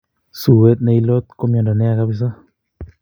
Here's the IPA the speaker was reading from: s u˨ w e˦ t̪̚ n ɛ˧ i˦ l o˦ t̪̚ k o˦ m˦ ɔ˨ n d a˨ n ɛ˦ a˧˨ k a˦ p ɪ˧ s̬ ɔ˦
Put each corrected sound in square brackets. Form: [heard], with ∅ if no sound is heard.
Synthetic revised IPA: s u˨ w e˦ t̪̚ n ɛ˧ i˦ l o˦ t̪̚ k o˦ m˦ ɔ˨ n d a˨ n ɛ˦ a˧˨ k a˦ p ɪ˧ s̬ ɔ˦